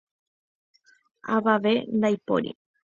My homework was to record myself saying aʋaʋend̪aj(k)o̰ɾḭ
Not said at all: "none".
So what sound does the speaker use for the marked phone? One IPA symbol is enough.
p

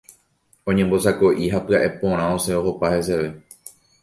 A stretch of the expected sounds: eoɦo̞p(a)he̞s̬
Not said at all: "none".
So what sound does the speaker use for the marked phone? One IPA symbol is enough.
a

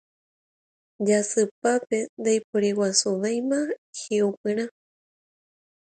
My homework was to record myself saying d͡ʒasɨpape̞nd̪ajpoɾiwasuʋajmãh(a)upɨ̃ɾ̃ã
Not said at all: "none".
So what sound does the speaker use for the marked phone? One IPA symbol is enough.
e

